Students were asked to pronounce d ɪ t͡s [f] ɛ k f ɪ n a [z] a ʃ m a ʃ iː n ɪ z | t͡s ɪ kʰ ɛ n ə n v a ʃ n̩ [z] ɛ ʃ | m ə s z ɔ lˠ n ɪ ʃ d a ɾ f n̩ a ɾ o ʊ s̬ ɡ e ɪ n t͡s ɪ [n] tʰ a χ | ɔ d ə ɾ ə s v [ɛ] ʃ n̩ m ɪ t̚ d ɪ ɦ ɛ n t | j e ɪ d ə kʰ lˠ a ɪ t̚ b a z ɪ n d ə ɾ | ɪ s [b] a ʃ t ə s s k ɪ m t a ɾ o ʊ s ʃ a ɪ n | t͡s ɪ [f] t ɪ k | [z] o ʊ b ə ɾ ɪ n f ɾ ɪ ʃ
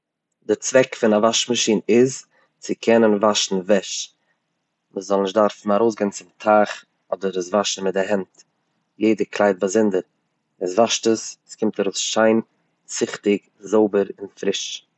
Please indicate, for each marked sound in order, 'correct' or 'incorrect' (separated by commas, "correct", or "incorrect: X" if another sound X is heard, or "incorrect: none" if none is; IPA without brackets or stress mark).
incorrect: v, incorrect: v, incorrect: v, incorrect: m, incorrect: a, incorrect: v, incorrect: χ, correct